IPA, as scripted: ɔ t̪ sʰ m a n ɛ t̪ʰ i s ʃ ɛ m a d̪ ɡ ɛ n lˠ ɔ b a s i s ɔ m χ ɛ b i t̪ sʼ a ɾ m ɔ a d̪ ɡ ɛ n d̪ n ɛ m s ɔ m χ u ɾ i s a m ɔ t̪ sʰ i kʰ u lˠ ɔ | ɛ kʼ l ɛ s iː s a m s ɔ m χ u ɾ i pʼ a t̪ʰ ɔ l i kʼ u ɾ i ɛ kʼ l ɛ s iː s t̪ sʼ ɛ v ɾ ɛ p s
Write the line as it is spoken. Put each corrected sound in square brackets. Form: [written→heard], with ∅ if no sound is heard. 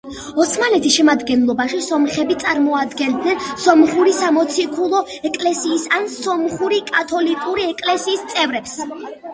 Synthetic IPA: ɔ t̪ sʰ m a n ɛ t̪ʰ i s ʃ ɛ m a d̪ ɡ ɛ n lˠ ɔ b a [s→ʃ] i s ɔ m χ ɛ b i t̪ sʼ a ɾ m ɔ a d̪ ɡ ɛ n d̪ n ɛ [m→n] s ɔ m χ u ɾ i s a m ɔ t̪ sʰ i kʰ u lˠ ɔ | ɛ kʼ l ɛ s iː s a [m→n] s ɔ m χ u ɾ i [pʼ→kʼ] a t̪ʰ ɔ l i kʼ u ɾ i ɛ kʼ l ɛ s iː s t̪ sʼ ɛ v ɾ ɛ p s